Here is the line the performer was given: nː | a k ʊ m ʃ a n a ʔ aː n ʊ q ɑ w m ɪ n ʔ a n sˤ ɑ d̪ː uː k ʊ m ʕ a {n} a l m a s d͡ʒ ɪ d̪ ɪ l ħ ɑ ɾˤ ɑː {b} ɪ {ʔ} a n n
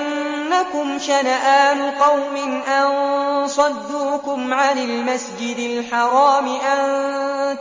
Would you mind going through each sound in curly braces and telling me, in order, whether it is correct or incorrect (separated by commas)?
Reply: correct, incorrect, correct